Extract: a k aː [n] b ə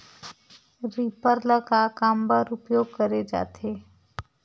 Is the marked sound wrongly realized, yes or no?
yes